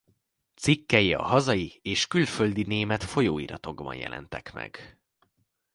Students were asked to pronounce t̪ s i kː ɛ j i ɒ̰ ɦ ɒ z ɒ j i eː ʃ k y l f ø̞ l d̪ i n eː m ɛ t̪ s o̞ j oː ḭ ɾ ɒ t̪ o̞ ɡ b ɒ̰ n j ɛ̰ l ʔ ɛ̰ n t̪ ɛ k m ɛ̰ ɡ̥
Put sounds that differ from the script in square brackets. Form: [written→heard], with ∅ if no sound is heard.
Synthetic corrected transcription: t̪ s i kː ɛ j i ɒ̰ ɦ ɒ z ɒ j i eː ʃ k y l f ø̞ l d̪ i n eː m ɛ t̪ [s→f] o̞ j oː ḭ ɾ ɒ t̪ o̞ ɡ b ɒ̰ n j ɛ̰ l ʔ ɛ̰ n t̪ ɛ k m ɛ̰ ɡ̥